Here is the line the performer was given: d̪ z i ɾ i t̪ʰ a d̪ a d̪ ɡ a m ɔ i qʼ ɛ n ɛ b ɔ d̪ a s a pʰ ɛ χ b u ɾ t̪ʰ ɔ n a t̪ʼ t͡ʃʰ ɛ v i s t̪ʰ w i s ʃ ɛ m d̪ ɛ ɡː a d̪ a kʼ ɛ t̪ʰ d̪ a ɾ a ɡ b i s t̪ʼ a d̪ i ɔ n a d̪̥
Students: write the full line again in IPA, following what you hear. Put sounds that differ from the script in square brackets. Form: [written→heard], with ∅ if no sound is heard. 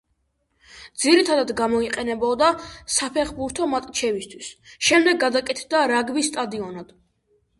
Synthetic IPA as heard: d̪ z i ɾ i t̪ʰ a d̪ a d̪ ɡ a m ɔ i qʼ ɛ n ɛ b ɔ d̪ a s a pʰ ɛ χ b u ɾ t̪ʰ ɔ [n→m] a t̪ʼ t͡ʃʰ ɛ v i s t̪ʰ w i s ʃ ɛ m d̪ ɛ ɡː a d̪ a kʼ ɛ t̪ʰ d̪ a ɾ a ɡ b i s t̪ʼ a d̪ i ɔ n a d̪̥